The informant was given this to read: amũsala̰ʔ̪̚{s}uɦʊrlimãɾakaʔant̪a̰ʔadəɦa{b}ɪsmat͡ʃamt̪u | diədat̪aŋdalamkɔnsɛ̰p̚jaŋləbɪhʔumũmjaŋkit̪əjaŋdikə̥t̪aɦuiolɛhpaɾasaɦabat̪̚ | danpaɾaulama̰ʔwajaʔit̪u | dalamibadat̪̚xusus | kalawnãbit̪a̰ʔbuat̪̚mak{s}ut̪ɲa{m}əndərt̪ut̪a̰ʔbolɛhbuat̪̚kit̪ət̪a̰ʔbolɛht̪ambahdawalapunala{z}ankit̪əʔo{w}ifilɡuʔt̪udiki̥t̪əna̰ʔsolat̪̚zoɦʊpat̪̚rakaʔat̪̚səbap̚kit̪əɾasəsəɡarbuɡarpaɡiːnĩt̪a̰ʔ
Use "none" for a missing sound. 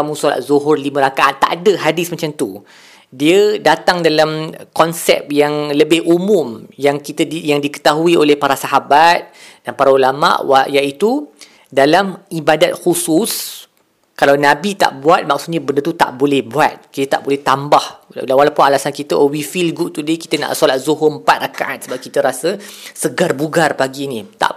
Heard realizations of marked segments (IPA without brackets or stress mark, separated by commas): z, d, s, b, s, w